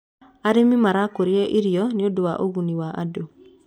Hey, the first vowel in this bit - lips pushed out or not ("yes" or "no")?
no